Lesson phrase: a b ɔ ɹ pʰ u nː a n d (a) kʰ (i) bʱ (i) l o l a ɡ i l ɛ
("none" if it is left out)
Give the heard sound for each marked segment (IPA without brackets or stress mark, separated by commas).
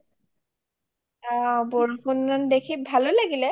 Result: e, i, a